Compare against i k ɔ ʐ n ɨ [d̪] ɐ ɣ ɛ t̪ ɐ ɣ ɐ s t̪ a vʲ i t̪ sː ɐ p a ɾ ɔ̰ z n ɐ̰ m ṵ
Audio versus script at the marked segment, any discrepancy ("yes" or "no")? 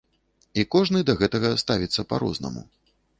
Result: no